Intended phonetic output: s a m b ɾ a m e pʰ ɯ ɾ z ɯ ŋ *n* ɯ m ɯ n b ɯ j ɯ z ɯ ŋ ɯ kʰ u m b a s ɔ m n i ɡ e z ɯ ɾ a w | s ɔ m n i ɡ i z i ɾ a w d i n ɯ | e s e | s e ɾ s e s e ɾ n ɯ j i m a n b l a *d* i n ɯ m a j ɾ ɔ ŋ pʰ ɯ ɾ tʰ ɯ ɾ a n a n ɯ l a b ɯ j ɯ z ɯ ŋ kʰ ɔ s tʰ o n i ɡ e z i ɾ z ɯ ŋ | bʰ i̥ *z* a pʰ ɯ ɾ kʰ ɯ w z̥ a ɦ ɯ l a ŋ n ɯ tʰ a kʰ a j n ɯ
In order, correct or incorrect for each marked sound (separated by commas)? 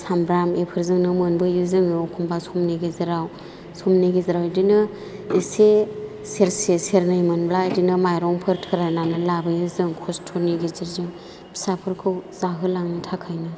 correct, correct, incorrect